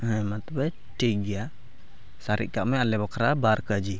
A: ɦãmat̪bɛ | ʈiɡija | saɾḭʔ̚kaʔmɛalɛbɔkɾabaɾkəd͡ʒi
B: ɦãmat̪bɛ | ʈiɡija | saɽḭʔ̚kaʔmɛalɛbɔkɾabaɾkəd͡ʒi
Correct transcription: A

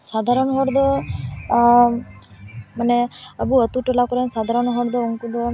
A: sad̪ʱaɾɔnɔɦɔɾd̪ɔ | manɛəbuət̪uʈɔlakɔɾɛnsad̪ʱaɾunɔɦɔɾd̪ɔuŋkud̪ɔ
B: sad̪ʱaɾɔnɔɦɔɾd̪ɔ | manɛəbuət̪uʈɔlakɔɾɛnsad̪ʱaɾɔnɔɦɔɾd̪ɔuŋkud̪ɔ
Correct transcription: B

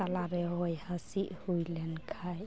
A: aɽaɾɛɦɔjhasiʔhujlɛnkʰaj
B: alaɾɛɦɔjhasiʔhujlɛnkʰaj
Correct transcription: B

